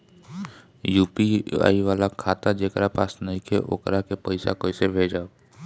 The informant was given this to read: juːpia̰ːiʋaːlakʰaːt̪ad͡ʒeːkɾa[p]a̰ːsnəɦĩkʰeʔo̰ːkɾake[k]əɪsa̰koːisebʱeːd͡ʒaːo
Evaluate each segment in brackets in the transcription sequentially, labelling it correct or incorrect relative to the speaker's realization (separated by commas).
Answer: correct, incorrect